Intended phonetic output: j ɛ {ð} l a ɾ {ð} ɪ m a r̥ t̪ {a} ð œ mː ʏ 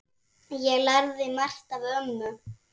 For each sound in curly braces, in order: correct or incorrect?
incorrect: ɣ, correct, correct

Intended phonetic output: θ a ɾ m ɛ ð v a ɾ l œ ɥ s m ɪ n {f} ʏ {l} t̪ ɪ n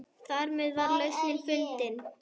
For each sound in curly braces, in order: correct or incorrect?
correct, correct

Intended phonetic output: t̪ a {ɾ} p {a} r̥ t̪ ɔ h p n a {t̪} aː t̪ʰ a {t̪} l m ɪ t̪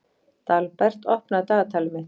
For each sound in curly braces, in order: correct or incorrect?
incorrect: l, incorrect: ɛ, correct, incorrect: none

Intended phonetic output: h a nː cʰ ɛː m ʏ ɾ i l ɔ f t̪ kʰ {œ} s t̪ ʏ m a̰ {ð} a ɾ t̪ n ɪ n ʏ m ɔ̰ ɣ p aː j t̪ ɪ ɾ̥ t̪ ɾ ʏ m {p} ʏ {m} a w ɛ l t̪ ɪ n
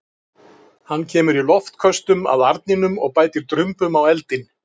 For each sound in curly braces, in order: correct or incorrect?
correct, correct, correct, correct

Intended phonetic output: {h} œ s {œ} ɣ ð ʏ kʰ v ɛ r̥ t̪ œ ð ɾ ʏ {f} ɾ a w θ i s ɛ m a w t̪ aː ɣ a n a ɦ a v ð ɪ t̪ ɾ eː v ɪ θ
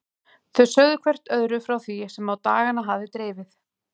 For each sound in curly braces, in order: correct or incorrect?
incorrect: θ, correct, correct

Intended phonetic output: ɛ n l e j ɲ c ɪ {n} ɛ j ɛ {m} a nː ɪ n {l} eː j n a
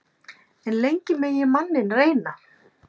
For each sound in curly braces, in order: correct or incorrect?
incorrect: m, correct, incorrect: r

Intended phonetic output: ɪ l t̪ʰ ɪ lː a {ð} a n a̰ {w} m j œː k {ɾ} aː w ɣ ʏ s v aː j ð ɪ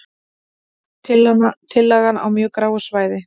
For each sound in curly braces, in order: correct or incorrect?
incorrect: ɣ, correct, correct

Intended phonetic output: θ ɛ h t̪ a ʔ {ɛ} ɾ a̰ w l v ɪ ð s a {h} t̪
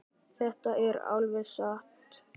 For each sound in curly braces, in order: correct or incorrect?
correct, correct

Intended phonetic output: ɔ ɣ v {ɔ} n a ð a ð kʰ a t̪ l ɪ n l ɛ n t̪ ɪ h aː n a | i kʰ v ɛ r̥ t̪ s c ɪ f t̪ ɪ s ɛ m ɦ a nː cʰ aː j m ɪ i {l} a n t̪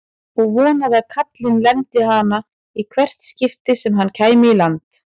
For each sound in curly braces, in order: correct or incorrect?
incorrect: ɔː, correct

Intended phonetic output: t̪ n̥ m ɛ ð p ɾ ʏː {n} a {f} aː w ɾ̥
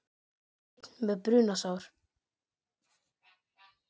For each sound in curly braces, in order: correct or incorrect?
correct, incorrect: s

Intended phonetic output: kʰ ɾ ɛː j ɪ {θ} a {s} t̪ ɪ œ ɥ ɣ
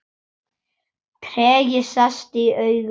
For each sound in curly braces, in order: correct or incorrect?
incorrect: s, correct

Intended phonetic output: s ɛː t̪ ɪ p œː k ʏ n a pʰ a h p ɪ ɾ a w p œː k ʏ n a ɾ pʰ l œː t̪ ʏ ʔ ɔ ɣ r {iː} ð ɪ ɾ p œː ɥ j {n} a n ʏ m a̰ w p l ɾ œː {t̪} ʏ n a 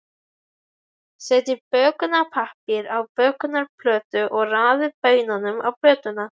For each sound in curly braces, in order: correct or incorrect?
incorrect: aː, correct, correct

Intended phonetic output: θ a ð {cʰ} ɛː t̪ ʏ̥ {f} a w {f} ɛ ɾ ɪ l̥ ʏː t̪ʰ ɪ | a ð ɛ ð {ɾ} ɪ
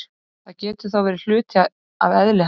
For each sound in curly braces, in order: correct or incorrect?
incorrect: c, incorrect: θ, incorrect: v, incorrect: l

